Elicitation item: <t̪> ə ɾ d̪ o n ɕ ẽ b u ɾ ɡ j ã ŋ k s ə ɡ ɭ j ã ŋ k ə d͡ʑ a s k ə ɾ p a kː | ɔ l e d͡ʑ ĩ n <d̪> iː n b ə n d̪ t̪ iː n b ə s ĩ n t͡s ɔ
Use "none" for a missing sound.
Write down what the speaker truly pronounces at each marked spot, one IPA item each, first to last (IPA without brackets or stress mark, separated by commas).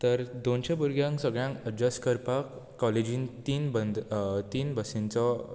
t̪, t̪